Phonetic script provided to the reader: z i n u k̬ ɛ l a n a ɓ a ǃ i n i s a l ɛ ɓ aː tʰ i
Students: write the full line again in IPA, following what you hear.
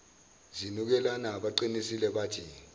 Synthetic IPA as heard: z i n u k̬ ɛ l a n a ɓ a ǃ i n i s i l ɛ ɓ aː tʰ i